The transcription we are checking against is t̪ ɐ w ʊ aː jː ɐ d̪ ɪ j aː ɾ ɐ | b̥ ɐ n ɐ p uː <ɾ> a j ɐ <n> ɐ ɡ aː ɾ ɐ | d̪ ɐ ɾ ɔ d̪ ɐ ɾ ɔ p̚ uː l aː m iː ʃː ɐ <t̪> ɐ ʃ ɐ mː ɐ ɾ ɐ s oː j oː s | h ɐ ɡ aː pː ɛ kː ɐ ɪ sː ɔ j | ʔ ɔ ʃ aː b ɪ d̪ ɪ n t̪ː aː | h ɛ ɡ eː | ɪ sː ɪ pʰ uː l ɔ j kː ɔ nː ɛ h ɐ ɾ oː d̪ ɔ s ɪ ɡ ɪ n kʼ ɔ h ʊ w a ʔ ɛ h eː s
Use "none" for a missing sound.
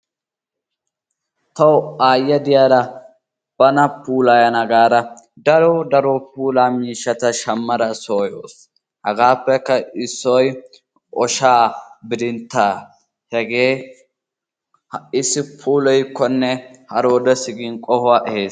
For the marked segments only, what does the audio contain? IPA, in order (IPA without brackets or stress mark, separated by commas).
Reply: l, n, t̪